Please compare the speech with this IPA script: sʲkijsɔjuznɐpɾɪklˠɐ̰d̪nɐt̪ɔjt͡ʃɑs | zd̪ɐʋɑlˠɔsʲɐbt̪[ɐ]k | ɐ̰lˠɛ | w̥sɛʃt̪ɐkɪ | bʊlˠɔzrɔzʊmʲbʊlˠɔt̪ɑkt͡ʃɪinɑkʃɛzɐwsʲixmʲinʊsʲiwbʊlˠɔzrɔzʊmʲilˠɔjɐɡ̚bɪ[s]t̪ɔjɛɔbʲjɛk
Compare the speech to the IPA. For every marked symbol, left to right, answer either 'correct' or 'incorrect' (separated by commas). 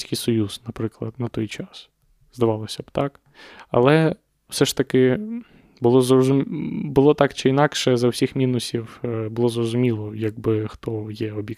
incorrect, incorrect